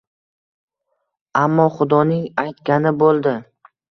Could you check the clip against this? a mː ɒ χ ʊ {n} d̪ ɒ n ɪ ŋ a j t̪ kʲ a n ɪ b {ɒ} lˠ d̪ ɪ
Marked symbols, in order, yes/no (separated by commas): no, no